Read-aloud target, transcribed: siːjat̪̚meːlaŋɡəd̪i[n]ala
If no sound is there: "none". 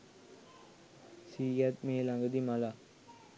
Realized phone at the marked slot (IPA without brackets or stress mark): m